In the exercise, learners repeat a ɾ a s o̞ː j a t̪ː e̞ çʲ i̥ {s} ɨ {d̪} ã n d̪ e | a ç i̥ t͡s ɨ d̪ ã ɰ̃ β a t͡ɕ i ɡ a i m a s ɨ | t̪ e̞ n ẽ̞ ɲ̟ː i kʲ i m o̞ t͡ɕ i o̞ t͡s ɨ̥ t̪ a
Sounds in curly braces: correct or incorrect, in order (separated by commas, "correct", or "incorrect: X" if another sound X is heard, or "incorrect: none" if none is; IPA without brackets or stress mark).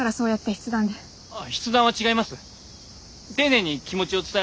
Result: incorrect: t͡s, correct